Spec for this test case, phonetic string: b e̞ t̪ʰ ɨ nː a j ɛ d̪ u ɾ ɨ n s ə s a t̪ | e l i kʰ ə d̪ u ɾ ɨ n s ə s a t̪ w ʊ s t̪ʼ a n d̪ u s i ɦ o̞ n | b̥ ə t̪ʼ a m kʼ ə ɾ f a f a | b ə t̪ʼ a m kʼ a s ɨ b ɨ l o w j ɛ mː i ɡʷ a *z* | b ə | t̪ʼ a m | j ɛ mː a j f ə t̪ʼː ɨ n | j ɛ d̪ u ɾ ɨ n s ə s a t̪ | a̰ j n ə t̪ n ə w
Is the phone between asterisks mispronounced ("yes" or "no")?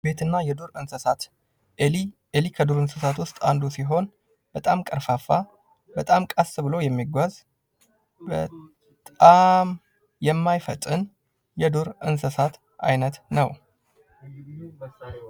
no